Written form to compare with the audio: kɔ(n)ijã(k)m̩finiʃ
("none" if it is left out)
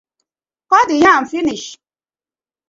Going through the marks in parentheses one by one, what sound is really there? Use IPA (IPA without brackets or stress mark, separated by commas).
d, none